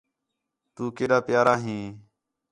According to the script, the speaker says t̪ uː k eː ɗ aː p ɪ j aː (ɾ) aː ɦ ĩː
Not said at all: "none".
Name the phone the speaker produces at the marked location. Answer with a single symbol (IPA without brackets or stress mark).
ɾ